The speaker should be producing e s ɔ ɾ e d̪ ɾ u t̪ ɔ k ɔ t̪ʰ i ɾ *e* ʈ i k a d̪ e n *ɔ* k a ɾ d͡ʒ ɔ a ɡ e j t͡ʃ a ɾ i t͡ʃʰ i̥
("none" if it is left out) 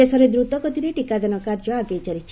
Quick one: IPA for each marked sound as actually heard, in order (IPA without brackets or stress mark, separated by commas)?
e, ɔ